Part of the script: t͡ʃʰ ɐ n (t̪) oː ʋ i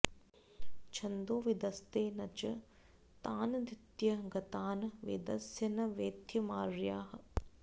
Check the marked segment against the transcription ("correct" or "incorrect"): incorrect